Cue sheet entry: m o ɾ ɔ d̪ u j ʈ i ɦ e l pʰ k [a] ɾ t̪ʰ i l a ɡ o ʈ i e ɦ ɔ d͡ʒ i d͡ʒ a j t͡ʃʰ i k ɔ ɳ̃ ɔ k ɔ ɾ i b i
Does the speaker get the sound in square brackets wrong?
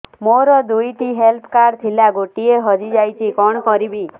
no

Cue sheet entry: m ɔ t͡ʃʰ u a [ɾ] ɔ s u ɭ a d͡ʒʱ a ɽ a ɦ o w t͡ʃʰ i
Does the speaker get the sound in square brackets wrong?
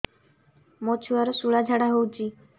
no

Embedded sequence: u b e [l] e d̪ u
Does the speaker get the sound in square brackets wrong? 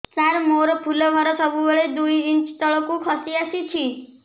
yes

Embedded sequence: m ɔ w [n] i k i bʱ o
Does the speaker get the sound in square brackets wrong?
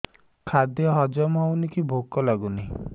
no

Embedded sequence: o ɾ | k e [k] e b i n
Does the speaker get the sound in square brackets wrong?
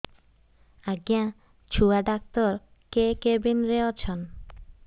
no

